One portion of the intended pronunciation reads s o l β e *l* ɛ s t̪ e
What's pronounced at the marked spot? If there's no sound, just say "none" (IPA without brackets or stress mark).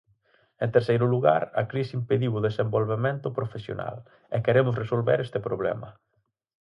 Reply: ɾ